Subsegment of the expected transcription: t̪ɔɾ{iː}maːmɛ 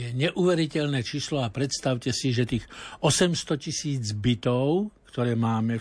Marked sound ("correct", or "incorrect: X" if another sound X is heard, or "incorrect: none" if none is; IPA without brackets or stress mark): incorrect: ɛː